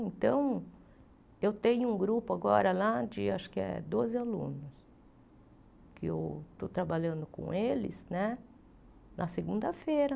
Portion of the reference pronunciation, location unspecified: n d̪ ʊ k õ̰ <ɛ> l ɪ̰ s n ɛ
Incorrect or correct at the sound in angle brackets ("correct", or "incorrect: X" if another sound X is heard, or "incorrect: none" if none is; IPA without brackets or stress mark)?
incorrect: e